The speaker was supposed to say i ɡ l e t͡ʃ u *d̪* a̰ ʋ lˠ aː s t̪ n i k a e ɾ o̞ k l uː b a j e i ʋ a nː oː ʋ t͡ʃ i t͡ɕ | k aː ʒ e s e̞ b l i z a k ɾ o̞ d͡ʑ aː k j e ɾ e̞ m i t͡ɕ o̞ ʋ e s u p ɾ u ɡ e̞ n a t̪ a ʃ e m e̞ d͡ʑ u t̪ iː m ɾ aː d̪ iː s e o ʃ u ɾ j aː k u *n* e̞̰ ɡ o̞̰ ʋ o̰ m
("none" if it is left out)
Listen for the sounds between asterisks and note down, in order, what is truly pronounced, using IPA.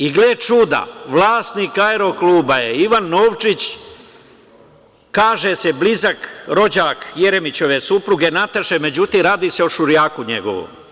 d̪, ɲ

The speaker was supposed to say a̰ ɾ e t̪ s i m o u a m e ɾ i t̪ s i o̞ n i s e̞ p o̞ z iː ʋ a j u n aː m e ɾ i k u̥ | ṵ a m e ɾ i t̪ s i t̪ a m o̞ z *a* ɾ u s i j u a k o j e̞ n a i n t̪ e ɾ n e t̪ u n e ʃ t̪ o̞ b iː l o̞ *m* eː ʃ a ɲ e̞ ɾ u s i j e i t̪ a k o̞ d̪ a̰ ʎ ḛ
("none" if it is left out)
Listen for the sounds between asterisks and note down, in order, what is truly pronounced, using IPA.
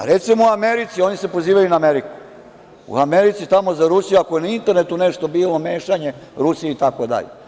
a, m

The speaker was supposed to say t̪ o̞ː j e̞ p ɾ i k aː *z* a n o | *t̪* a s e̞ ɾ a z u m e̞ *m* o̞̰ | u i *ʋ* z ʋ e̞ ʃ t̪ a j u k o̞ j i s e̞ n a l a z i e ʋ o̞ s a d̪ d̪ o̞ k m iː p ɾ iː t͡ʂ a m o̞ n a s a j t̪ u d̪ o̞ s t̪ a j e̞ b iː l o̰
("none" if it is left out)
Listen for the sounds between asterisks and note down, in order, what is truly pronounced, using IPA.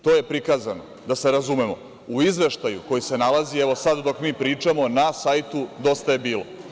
z, d̪, m, none

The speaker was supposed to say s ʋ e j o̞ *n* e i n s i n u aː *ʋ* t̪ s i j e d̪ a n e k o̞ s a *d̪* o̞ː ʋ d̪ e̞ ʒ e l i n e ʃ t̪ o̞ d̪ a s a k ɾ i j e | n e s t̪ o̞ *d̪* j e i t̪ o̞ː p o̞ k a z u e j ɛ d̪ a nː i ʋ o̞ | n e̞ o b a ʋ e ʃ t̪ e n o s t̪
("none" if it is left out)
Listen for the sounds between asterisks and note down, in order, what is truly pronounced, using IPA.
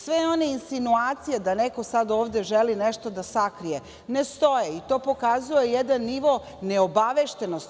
n, none, d̪, none

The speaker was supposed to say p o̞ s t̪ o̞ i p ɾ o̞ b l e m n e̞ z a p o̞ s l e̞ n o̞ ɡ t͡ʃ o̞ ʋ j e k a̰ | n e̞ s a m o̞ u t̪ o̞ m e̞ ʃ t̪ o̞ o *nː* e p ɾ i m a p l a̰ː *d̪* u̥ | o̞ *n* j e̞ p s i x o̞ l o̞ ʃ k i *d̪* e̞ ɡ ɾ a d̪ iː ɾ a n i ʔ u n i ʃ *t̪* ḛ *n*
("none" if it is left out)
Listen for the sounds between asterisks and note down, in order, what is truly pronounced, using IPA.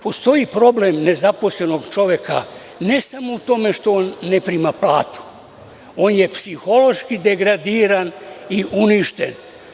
nː, t̪, n, d̪, t̪, n

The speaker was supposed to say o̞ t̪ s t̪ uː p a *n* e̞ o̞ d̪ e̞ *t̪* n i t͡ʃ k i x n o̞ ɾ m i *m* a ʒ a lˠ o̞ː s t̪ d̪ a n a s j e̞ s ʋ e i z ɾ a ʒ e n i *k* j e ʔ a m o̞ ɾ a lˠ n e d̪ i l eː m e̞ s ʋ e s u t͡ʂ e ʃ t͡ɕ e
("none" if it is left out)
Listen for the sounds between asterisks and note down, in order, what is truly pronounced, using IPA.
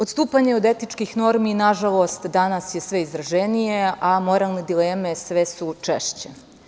ɲ, t̪, n, none

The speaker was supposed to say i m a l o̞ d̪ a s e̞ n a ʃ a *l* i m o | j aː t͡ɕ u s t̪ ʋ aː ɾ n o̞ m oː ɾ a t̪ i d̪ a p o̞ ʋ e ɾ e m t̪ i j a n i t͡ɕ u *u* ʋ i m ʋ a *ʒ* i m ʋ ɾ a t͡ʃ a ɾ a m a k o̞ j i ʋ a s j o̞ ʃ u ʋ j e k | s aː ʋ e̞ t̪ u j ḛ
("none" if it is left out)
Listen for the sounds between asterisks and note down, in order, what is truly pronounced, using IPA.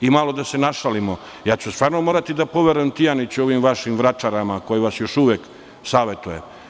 l, o, ʃ

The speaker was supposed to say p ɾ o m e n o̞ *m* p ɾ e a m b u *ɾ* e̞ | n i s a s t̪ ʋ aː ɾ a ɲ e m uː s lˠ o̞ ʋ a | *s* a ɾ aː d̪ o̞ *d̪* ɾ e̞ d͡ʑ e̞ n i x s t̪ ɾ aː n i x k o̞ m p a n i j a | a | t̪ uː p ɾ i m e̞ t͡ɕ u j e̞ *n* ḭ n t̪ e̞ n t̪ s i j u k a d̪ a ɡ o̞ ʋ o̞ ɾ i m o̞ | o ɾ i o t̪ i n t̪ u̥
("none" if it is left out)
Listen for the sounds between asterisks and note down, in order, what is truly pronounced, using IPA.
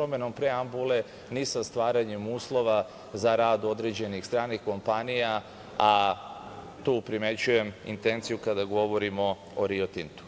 m, l, z, d̪, m

